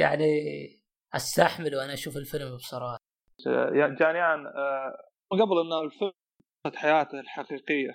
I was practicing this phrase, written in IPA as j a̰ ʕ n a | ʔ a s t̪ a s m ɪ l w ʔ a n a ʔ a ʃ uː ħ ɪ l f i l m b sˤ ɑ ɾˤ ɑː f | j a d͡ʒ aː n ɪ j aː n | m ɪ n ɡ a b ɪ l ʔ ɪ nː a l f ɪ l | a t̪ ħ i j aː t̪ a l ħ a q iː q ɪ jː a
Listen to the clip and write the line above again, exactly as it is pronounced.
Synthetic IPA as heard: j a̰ ʕ n i | ʔ a s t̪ a ħ m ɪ l w ʔ a n a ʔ a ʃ uː f ɪ l f ɪ l m b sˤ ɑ ɾˤ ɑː ħ | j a d͡ʒ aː n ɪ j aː n | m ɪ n ɡ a b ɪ l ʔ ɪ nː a l f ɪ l | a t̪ ħ a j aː t̪ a l ħ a q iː q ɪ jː a